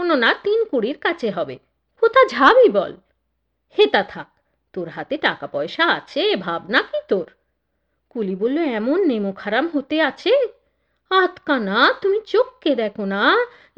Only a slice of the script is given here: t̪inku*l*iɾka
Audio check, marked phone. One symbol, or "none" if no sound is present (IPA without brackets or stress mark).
ɽ